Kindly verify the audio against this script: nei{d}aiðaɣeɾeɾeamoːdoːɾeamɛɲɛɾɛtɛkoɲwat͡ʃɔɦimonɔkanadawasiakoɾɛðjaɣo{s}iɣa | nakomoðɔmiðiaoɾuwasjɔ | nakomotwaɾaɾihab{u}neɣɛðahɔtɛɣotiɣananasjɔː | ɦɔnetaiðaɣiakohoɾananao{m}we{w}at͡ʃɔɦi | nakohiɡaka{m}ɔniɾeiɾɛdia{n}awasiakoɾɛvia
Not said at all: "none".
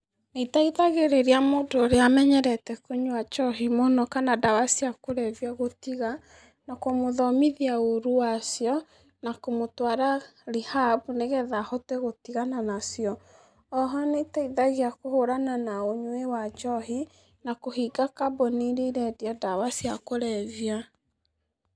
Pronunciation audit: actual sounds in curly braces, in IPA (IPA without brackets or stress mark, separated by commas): t, t, u, ɲ, w, b, d